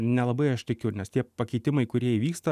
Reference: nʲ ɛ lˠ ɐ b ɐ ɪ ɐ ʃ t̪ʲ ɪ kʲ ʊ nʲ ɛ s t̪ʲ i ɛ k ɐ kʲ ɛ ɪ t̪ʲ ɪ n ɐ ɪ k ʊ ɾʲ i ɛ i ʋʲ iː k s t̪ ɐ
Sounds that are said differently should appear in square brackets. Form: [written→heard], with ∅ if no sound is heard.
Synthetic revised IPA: nʲ ɛ lˠ ɐ b ɐ ɪ ɐ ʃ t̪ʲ ɪ kʲ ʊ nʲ ɛ s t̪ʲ i ɛ [k→p] ɐ kʲ ɛ ɪ t̪ʲ ɪ [n→m] ɐ ɪ k ʊ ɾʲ i ɛ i ʋʲ iː k s t̪ ɐ

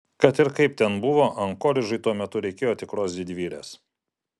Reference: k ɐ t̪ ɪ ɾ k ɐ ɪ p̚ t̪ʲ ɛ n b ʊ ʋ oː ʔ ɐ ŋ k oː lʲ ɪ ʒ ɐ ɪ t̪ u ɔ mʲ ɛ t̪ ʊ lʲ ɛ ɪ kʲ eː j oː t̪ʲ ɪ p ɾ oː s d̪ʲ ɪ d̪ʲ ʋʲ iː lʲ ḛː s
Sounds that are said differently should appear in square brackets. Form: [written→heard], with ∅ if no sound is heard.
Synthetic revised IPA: k ɐ t̪ ɪ ɾ k ɐ ɪ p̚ t̪ʲ ɛ n b ʊ ʋ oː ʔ ɐ ŋ k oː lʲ ɪ ʒ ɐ ɪ t̪ u ɔ mʲ ɛ t̪ ʊ [lʲ→ɾʲ] ɛ ɪ kʲ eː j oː t̪ʲ ɪ [p→k] ɾ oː s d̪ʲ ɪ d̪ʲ ʋʲ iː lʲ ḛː s

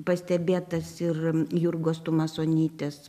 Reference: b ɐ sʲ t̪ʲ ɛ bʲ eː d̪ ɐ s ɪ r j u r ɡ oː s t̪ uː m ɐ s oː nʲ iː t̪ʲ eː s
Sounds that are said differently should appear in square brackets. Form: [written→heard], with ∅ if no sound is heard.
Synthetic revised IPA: [b→p] ɐ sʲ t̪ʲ ɛ bʲ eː [d̪→t̪] ɐ s ɪ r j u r ɡ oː s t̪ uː m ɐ s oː nʲ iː t̪ʲ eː s

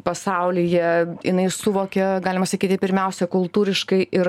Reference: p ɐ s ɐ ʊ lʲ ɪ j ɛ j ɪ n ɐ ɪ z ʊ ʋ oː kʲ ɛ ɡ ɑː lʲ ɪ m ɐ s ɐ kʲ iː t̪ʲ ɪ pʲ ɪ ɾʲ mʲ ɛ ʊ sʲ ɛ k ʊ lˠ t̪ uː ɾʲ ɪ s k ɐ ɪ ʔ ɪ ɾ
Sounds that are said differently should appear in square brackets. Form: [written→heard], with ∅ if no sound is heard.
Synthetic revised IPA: p ɐ s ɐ ʊ lʲ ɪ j ɛ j ɪ n ɐ ɪ [z→s] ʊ ʋ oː kʲ ɛ ɡ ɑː lʲ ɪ m ɐ s ɐ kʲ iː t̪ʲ ɪ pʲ ɪ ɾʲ mʲ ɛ ʊ sʲ ɛ k ʊ lˠ t̪ uː ɾʲ ɪ [s→ʃ] k ɐ ɪ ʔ ɪ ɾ

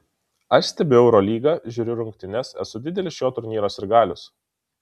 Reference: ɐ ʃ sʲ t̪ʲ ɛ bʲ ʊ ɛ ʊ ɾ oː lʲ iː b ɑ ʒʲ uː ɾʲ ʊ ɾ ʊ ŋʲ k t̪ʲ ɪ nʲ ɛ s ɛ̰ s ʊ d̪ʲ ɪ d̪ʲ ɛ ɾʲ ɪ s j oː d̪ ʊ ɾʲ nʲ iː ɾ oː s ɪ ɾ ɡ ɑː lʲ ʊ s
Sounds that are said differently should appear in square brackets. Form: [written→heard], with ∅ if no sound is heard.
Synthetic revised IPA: ɐ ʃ sʲ t̪ʲ ɛ bʲ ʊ ɛ ʊ ɾ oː lʲ iː [b→ɡ] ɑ ʒʲ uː ɾʲ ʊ ɾ ʊ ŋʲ k t̪ʲ ɪ nʲ ɛ s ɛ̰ s ʊ d̪ʲ ɪ d̪ʲ ɛ [ɾʲ→lʲ] ɪ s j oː [d̪→t̪] ʊ ɾʲ nʲ iː ɾ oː s ɪ ɾ ɡ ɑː lʲ ʊ s

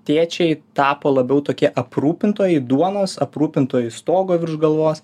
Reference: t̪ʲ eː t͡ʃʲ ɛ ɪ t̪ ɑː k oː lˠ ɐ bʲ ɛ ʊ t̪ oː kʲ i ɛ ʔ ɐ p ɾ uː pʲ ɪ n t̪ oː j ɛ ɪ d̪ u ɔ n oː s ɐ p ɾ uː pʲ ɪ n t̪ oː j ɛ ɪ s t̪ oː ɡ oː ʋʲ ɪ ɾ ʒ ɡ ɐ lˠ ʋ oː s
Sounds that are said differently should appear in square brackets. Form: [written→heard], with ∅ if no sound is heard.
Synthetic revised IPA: t̪ʲ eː t͡ʃʲ ɛ ɪ t̪ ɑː [k→p] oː lˠ ɐ bʲ ɛ ʊ t̪ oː kʲ i ɛ ʔ ɐ p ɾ uː pʲ ɪ n t̪ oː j ɛ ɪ d̪ u ɔ n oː s ɐ p ɾ uː pʲ ɪ n t̪ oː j ɛ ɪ s t̪ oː ɡ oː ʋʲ ɪ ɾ ʒ ɡ ɐ lˠ ʋ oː s

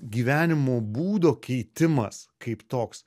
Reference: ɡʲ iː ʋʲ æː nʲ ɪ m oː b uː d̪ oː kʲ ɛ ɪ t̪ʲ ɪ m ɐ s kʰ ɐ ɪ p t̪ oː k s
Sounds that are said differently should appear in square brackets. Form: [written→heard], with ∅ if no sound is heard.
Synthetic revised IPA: ɡʲ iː ʋʲ æː nʲ ɪ m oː b uː d̪ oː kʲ ɛ ɪ t̪ʲ ɪ m ɐ s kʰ ɐ ɪ p t̪ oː k s

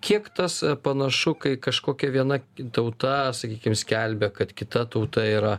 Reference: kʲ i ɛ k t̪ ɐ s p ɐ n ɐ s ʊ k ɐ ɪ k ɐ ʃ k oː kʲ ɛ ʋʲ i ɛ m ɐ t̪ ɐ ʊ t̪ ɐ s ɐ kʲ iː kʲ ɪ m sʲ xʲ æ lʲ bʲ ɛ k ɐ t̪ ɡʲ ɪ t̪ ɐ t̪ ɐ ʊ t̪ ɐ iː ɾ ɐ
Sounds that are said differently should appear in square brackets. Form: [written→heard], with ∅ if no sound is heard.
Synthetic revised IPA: kʲ i ɛ k t̪ ɐ s p ɐ n ɐ [s→ʃ] ʊ k ɐ ɪ k ɐ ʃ k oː kʲ ɛ ʋʲ i ɛ [m→n] ɐ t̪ ɐ ʊ t̪ ɐ s ɐ kʲ iː kʲ ɪ m sʲ [xʲ→kʲ] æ lʲ bʲ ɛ k ɐ t̪ [ɡʲ→kʲ] ɪ t̪ ɐ t̪ ɐ ʊ t̪ ɐ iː ɾ ɐ

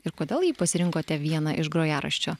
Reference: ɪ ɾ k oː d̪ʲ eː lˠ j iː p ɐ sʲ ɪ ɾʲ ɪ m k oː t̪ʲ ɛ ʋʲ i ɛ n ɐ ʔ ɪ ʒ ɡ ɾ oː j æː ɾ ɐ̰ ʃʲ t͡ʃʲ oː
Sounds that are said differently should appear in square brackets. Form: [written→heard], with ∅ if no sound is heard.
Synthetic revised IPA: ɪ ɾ k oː d̪ʲ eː lˠ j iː p ɐ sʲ ɪ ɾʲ ɪ [m→ŋ] k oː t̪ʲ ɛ ʋʲ i ɛ n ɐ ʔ ɪ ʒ ɡ ɾ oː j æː ɾ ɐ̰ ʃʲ t͡ʃʲ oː

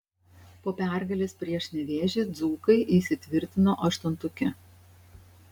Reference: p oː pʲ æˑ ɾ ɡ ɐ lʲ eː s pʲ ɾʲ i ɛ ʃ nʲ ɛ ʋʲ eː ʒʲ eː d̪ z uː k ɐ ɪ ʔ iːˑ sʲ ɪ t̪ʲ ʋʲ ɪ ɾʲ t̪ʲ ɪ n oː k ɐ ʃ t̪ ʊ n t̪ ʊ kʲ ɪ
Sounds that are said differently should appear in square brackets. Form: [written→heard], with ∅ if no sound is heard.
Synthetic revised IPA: p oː pʲ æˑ ɾ ɡ ɐ lʲ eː s pʲ ɾʲ i ɛ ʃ nʲ ɛ ʋʲ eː ʒʲ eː d̪ z uː k ɐ ɪ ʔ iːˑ sʲ ɪ t̪ʲ ʋʲ ɪ ɾʲ t̪ʲ ɪ n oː [k→ʔ] ɐ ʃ t̪ ʊ n t̪ ʊ kʲ ɪ

